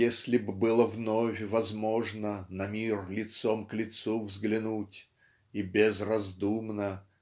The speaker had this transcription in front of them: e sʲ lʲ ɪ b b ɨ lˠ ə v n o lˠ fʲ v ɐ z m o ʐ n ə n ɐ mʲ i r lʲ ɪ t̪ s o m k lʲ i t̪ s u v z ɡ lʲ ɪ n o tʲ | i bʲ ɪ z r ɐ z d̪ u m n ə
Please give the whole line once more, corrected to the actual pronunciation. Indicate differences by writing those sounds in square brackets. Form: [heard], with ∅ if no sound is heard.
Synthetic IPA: e sʲ lʲ ɪ b b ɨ lˠ ə v n o [∅] fʲ v ɐ z m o ʐ n ə n ɐ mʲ i r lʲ ɪ t̪ s o m k lʲ [ɪ] t̪ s u v z ɡ lʲ ɪ n [u] tʲ | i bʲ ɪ z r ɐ z d̪ u m n ə